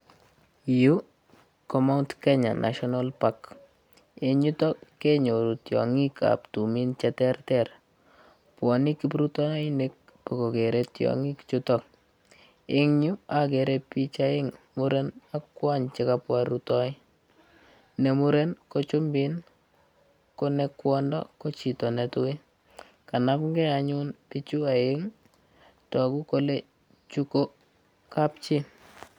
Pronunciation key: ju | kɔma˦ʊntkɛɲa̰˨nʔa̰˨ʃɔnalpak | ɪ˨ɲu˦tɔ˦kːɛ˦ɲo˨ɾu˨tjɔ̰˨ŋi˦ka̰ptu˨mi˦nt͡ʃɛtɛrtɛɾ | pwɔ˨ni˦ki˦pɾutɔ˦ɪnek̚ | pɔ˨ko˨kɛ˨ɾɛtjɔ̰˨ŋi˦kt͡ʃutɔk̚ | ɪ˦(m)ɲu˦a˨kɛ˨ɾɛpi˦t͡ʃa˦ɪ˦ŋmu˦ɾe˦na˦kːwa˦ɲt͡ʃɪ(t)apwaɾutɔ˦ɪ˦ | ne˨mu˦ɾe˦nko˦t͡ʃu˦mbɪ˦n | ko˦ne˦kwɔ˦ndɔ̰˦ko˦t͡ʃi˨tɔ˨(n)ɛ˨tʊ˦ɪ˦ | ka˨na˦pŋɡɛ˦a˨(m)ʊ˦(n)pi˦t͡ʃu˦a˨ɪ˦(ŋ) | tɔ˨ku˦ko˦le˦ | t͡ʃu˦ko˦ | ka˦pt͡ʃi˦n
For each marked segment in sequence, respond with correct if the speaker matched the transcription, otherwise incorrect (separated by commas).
incorrect, incorrect, correct, incorrect, correct, correct